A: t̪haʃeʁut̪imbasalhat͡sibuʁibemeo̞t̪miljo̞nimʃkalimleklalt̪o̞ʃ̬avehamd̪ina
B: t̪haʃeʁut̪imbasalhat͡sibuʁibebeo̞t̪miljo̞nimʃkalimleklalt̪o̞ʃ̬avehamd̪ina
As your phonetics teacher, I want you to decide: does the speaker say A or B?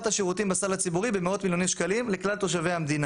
A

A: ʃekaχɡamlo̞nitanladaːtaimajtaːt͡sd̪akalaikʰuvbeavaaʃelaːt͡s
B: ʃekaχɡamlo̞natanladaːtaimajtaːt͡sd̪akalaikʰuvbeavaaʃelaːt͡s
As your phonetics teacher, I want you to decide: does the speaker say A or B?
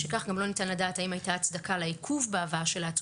A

